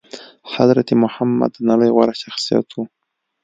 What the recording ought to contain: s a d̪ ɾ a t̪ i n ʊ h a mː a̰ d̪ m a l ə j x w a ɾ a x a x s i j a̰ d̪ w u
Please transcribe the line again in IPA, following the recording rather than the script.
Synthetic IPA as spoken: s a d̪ ɾ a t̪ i m ʊ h a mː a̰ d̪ n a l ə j ɣ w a ɾ a ʃ a x s i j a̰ t̪ w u

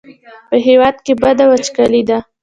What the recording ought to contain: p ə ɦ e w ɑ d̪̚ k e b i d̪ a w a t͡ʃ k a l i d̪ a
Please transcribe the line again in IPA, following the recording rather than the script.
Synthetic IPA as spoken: p ə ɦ e w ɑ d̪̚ k e b a d̪ a w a t͡ʃ k a l i d̪ a

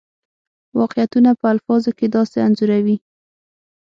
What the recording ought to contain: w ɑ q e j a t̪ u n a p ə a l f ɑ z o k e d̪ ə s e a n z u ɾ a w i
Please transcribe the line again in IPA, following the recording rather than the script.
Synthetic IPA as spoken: w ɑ q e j a t̪ u n a p ə a l f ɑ z o k e d̪ ɑ s e a n z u ɾ a w i

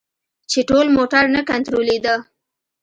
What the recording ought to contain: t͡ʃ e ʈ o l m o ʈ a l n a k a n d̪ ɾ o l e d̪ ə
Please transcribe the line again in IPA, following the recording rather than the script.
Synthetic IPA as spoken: t͡ʃ e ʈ o l m o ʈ a ɾ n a k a n t̪ ɾ o l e d̪ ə

